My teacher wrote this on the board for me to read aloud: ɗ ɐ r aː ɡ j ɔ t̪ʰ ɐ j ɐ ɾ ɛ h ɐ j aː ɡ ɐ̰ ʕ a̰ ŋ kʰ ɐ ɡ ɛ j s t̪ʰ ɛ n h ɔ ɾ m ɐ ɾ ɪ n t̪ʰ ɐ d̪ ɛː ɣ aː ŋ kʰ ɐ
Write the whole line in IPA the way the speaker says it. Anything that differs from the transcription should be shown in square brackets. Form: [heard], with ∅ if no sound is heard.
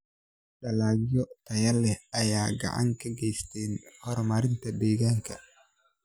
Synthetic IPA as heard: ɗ ɐ [l] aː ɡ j ɔ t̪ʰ ɐ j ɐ [l] ɛ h ɐ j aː ɡ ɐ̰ ʕ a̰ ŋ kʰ ɐ ɡ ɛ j s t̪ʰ ɛ n h ɔ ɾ m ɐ ɾ ɪ n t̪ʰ ɐ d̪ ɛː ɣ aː ŋ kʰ ɐ